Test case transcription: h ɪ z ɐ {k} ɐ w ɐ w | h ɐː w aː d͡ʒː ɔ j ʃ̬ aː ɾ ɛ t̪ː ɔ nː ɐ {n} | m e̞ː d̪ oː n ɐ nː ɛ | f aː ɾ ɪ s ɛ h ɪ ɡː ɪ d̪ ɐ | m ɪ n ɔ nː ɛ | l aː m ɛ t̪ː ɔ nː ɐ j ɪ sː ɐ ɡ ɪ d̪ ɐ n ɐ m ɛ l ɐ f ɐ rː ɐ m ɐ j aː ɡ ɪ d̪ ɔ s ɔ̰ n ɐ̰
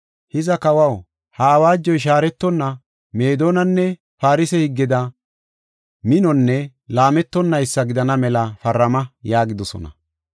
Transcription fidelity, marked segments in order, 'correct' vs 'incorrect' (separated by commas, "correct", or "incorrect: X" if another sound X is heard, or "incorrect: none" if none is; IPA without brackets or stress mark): correct, incorrect: none